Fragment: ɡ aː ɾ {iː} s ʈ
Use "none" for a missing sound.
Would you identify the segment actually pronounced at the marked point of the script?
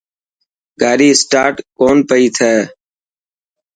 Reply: iː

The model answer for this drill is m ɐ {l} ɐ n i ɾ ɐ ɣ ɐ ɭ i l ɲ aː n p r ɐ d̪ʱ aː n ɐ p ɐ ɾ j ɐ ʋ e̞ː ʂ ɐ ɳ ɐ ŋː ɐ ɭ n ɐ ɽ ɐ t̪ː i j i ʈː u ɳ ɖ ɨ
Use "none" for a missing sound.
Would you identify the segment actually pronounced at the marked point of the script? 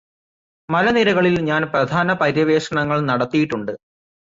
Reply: l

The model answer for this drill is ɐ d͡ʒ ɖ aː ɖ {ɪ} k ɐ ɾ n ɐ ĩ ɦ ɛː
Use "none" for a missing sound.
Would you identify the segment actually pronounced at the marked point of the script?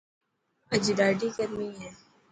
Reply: i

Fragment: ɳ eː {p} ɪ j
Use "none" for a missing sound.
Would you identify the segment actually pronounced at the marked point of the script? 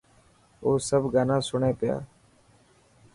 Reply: p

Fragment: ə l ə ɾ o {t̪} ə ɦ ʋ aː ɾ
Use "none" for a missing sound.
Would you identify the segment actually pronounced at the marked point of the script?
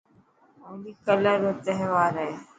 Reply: t̪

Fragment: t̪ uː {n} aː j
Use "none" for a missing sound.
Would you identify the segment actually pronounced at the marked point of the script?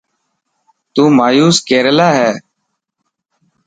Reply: m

